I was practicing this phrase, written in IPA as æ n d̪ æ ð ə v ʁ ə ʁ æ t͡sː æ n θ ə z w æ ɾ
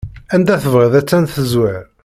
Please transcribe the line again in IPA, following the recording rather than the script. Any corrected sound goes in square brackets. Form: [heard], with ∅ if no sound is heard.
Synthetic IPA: æ n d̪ æ [θ] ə v ʁ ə [ð] æ t͡sː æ n θ ə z w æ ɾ